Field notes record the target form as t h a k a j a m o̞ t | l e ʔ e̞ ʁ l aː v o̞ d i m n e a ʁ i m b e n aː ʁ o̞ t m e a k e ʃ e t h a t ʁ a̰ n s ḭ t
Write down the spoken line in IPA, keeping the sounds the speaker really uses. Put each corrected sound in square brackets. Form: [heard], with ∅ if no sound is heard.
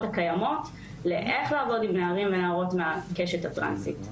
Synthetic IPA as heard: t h a k a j a m o̞ t | l e ʔ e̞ [χ] l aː v o̞ d i m n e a ʁ i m [v] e n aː ʁ o̞ t m e a k e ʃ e t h a t ʁ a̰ n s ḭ t